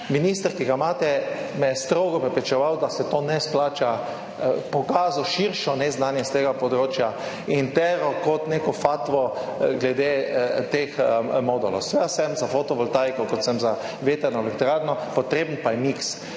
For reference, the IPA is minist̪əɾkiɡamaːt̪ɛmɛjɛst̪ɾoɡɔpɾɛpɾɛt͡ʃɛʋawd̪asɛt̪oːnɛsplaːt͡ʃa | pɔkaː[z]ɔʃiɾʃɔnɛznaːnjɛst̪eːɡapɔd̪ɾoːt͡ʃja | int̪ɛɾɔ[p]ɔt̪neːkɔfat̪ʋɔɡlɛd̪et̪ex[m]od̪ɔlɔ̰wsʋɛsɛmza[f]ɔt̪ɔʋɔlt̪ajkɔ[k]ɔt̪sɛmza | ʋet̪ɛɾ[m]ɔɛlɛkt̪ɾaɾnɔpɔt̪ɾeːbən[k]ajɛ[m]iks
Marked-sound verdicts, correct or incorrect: correct, incorrect, correct, correct, correct, incorrect, incorrect, correct

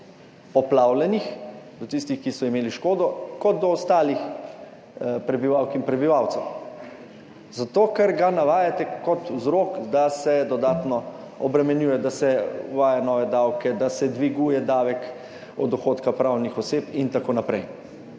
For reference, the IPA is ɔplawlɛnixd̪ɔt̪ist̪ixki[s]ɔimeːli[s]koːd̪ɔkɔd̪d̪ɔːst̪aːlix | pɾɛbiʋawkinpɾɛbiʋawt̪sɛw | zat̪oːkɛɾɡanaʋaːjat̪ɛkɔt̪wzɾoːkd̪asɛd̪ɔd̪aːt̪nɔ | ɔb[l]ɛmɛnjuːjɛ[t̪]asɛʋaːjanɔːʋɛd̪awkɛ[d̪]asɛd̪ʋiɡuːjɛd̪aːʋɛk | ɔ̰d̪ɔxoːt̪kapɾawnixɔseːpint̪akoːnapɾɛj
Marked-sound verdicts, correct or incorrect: correct, incorrect, incorrect, incorrect, correct

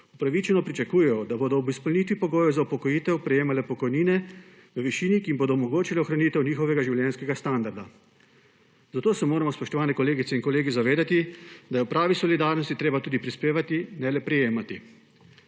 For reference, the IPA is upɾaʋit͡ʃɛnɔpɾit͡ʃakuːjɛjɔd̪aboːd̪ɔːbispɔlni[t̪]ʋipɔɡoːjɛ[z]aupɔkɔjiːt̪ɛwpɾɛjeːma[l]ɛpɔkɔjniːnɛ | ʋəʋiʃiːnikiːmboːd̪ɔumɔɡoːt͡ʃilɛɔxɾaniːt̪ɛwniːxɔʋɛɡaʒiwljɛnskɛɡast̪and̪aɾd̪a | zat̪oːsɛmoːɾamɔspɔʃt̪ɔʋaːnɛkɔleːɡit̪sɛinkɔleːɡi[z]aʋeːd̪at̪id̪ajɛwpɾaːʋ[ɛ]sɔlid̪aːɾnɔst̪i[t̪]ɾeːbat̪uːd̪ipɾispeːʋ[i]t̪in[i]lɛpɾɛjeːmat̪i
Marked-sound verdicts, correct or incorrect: correct, correct, correct, correct, incorrect, correct, incorrect, incorrect

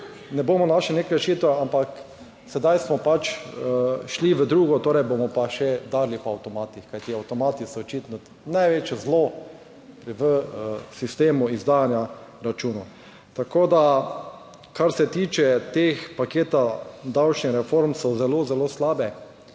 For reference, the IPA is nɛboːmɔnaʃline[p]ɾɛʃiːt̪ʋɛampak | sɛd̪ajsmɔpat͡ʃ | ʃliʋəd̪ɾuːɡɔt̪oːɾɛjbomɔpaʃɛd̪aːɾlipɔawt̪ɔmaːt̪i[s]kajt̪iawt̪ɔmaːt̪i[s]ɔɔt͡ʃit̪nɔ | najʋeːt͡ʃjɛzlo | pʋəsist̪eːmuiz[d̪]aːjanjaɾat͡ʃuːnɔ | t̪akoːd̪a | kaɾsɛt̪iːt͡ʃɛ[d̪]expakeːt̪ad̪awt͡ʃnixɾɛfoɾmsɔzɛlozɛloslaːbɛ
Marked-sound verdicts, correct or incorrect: incorrect, incorrect, correct, correct, incorrect

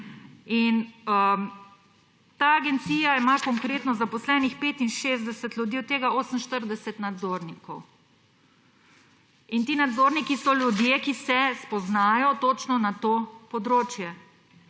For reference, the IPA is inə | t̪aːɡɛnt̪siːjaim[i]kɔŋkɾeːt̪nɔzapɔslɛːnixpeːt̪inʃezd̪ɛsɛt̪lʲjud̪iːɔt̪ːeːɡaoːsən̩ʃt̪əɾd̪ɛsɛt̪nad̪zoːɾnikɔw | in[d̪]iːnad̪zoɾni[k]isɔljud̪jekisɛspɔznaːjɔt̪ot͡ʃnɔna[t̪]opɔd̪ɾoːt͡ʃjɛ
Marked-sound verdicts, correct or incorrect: incorrect, incorrect, correct, correct

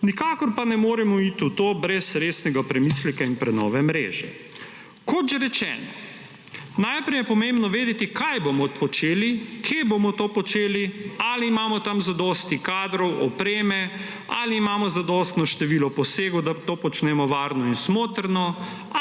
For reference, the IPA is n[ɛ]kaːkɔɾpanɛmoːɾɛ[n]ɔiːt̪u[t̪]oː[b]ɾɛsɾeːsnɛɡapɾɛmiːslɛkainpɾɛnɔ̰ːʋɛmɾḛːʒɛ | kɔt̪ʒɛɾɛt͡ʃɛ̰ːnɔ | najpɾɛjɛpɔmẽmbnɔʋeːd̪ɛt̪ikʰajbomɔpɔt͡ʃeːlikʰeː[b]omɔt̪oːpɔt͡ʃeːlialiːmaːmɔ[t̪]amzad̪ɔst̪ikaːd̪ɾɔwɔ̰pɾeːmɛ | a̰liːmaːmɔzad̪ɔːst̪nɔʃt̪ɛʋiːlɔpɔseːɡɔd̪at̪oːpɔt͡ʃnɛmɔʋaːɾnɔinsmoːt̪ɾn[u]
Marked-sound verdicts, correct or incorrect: incorrect, incorrect, correct, correct, correct, correct, incorrect

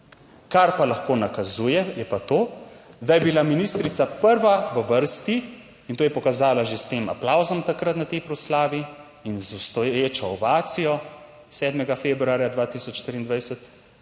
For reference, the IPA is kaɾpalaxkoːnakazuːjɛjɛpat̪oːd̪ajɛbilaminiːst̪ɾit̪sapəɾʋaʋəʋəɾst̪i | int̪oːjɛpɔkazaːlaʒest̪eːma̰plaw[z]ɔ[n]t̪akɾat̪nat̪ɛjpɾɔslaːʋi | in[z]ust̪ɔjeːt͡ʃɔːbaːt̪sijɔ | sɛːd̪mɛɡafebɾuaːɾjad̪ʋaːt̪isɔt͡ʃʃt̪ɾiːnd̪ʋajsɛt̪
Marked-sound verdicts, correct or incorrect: correct, incorrect, correct

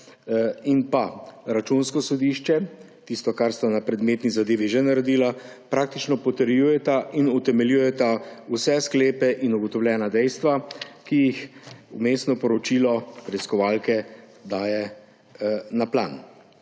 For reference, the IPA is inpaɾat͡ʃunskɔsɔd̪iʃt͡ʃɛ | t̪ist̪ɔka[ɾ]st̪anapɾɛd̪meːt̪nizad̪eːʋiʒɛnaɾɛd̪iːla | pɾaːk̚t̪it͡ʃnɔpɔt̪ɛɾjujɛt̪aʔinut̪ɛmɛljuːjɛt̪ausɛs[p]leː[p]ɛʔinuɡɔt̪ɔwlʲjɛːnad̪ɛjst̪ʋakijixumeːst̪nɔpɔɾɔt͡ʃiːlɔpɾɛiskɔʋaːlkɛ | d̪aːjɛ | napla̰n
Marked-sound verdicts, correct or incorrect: correct, incorrect, correct

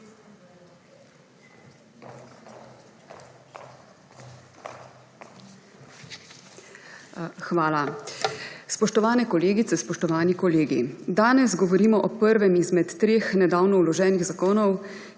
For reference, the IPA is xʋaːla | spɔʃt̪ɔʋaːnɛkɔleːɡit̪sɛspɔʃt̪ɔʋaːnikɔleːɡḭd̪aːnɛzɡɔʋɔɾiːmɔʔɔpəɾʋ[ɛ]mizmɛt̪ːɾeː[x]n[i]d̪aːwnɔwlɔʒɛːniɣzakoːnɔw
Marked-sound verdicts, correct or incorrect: correct, correct, incorrect

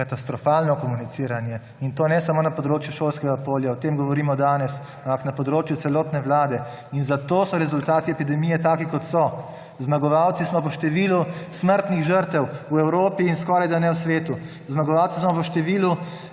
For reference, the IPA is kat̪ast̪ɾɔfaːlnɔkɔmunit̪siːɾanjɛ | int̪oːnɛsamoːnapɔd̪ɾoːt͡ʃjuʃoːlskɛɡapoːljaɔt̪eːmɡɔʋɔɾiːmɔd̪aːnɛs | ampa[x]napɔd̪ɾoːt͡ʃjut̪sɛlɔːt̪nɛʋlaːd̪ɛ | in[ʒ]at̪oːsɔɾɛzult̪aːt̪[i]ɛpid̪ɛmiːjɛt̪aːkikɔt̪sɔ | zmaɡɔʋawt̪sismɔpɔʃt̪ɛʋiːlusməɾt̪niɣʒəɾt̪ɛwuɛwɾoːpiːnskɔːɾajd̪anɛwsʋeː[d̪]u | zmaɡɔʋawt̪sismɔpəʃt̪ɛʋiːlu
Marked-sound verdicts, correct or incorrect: incorrect, incorrect, correct, incorrect

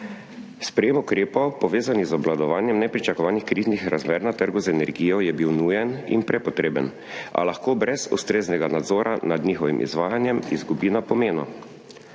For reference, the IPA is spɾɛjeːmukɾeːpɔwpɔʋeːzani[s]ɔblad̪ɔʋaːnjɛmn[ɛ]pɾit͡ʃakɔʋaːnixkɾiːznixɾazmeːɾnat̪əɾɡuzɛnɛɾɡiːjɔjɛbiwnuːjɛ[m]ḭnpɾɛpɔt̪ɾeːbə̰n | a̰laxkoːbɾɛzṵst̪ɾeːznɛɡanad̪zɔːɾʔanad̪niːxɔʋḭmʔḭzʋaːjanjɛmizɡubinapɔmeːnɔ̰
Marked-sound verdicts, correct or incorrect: incorrect, correct, incorrect

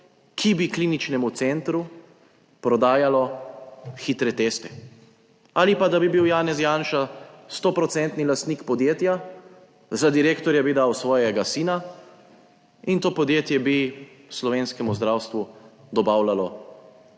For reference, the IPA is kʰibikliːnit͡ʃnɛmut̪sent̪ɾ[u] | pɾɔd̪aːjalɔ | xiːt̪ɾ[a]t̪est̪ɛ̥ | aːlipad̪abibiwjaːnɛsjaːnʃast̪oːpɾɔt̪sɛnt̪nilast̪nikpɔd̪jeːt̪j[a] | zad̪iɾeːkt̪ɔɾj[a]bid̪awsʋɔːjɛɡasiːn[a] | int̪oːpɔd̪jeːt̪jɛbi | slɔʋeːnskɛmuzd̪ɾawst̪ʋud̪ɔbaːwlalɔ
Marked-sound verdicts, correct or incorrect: correct, incorrect, correct, correct, correct

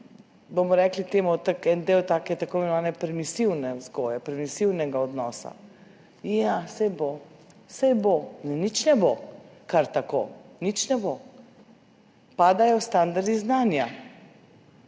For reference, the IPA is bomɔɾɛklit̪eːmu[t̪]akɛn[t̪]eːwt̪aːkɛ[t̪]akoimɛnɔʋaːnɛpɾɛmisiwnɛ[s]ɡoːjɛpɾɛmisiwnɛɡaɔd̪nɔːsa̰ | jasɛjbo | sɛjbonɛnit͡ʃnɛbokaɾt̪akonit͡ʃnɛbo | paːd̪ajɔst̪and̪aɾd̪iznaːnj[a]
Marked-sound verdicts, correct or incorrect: correct, incorrect, correct, incorrect, correct

